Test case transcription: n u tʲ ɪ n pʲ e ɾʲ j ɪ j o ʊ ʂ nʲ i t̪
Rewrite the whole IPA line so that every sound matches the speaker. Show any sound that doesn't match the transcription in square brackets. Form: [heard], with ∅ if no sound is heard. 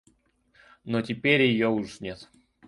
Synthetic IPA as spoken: n [o] tʲ ɪ [∅] pʲ e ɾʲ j ɪ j o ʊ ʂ nʲ [e] t̪